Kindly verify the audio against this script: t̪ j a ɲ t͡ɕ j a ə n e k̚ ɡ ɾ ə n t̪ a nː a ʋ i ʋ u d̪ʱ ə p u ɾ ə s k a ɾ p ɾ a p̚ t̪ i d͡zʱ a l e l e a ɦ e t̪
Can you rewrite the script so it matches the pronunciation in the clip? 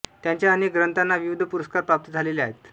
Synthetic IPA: t̪ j a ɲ t͡ɕ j a ə n e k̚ ɡ ɾ ə n t̪ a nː a ʋ i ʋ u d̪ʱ ə p u ɾ ə s k a ɾ p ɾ a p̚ t̪ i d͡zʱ a l e l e a ɦ e t̪